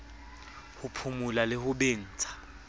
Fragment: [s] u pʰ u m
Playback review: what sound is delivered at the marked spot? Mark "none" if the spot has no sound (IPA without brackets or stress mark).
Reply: h